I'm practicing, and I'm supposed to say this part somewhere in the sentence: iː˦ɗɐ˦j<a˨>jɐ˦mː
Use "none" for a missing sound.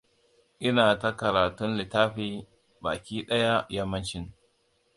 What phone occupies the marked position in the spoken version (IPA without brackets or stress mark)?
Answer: a˦